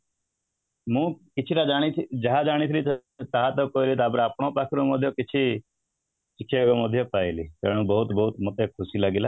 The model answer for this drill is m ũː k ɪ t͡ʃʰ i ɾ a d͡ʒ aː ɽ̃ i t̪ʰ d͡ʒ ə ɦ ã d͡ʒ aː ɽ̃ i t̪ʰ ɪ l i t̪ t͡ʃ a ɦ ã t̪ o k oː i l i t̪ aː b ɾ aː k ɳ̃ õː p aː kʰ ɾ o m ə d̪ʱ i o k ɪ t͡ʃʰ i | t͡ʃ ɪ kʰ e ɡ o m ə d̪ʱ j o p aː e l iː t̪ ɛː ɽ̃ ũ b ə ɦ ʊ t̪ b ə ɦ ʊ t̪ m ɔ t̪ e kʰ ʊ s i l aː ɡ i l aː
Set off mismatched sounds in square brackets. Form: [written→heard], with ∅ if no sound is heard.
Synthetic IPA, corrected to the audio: m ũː k ɪ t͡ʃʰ i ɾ a d͡ʒ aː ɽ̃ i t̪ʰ d͡ʒ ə ɦ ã d͡ʒ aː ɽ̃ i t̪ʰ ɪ l i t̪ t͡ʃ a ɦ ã t̪ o k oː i l i t̪ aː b ɾ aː [k→p] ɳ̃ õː p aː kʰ ɾ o m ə d̪ʱ [i→j] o k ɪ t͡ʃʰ i | t͡ʃ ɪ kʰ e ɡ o m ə d̪ʱ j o p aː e l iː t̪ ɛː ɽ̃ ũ b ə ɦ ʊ t̪ b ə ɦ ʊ t̪ m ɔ t̪ e kʰ ʊ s i l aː ɡ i l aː